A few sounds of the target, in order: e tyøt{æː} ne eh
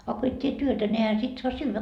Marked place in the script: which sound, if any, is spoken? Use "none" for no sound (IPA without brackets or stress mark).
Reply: æ